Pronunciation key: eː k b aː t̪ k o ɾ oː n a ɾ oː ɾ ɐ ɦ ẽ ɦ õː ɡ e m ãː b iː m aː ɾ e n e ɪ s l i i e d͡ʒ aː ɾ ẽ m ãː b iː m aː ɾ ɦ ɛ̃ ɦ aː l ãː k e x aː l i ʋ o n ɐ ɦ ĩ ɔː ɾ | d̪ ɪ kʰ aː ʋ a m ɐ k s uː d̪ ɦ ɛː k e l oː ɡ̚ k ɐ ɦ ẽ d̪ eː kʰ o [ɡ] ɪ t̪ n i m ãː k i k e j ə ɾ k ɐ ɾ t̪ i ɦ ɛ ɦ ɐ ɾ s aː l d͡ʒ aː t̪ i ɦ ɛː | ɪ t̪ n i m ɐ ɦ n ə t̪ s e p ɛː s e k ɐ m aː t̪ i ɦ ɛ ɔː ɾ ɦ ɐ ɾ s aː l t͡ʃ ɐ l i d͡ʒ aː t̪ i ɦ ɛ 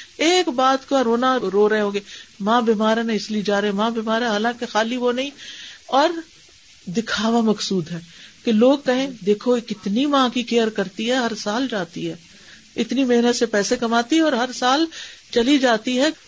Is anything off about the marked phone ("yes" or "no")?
yes